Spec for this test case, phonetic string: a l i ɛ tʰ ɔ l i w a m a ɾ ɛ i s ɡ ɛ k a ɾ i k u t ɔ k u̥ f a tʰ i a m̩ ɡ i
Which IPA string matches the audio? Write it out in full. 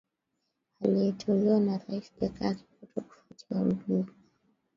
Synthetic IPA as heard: a l i ɛ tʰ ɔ l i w a n a ɾ a i s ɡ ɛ k a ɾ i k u t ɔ k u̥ f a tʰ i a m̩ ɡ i